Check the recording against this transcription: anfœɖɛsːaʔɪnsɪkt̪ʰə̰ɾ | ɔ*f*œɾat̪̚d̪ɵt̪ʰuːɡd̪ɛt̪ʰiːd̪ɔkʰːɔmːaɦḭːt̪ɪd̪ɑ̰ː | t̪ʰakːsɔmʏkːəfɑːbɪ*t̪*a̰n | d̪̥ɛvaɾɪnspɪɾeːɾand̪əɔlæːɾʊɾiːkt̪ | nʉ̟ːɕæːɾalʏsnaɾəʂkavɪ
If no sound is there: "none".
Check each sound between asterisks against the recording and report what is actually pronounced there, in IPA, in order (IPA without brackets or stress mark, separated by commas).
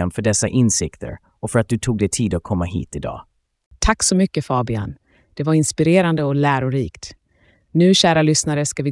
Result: f, none